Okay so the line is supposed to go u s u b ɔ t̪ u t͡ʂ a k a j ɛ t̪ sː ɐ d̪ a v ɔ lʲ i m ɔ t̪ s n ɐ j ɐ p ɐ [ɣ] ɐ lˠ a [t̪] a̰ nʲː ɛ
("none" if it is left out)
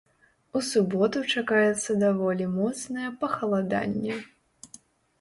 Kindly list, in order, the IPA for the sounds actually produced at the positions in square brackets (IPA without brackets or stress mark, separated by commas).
x, d̪